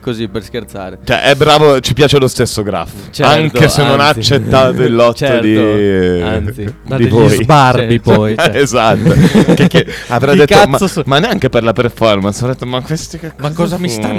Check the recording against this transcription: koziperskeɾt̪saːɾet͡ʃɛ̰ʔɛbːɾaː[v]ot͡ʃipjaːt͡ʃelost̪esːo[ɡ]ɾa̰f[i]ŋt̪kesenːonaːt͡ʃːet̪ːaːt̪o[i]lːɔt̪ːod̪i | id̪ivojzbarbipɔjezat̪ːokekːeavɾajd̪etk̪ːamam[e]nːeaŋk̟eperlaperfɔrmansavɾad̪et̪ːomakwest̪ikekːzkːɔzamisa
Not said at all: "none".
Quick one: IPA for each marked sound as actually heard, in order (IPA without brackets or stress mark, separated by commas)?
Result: v, ɡ, a, i, a